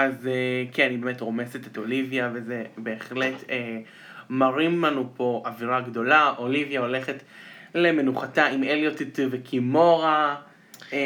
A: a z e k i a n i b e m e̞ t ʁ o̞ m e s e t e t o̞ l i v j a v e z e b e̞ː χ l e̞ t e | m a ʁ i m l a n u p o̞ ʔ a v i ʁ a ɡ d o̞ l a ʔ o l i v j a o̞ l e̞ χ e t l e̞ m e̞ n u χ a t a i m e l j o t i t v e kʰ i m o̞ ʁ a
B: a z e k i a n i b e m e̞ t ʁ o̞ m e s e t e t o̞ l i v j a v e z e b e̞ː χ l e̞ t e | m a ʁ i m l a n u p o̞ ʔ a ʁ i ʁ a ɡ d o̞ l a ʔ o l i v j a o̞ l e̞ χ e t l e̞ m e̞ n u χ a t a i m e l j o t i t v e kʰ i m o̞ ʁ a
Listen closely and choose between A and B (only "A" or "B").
A